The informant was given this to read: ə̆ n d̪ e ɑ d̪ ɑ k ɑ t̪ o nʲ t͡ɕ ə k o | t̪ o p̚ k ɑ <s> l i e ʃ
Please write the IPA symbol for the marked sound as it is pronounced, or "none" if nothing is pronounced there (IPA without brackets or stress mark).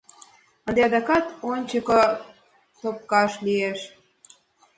ʃ